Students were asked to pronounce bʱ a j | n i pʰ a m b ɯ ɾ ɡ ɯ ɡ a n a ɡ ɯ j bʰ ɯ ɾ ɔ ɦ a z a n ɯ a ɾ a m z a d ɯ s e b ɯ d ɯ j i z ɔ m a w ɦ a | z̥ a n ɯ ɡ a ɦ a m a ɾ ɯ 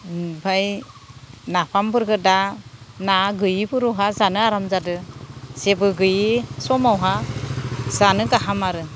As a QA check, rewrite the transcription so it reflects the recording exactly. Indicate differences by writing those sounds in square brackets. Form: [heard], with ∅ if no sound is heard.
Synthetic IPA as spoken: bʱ a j | n [a] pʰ a m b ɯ ɾ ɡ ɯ [d] a n a ɡ ɯ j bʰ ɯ ɾ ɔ ɦ a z a n ɯ a ɾ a m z a d ɯ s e b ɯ [ɡ] ɯ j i [s] ɔ m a w ɦ a | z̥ a n ɯ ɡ a ɦ a m a ɾ ɯ